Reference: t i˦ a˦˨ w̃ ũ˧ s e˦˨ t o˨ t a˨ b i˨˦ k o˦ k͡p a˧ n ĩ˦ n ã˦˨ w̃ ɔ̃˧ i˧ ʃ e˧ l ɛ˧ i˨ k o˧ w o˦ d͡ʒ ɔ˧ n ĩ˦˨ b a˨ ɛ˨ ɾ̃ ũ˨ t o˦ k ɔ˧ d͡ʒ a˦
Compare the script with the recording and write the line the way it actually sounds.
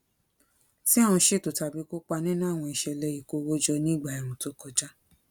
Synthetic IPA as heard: t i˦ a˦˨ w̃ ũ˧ ʃ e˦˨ t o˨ t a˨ b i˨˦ k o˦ k͡p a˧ n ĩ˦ n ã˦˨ w̃ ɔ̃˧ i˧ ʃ ɛ˧ l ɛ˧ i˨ k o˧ w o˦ d͡ʒ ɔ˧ n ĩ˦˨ ɡ͡b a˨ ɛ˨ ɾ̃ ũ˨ t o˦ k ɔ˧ d͡ʒ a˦